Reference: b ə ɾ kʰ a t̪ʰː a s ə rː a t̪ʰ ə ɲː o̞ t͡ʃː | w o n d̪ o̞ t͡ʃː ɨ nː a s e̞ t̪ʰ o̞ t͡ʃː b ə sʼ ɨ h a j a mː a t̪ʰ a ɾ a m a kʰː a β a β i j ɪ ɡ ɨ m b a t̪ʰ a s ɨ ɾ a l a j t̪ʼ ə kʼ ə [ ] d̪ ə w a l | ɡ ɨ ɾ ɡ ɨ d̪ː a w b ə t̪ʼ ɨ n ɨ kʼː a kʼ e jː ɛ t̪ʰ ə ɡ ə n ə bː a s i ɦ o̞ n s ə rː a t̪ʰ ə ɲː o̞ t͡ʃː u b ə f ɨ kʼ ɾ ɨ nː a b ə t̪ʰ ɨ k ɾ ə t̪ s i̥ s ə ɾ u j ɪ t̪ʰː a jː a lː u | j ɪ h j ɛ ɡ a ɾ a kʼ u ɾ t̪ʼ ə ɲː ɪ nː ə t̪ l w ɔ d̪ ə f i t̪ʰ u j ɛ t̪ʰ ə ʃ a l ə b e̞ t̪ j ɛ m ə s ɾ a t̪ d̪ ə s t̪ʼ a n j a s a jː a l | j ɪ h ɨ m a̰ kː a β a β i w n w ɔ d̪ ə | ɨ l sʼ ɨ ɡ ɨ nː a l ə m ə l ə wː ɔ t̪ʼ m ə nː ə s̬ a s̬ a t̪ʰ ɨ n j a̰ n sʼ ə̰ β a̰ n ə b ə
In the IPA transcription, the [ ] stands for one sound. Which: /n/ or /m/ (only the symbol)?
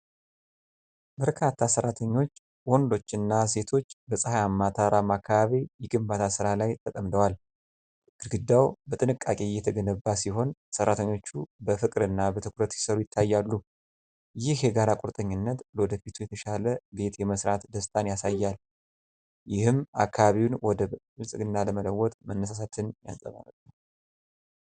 m